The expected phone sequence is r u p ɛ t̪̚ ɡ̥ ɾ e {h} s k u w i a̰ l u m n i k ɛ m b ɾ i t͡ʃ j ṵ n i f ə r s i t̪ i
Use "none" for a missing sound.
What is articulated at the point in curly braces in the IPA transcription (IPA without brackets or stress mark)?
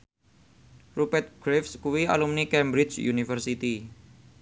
f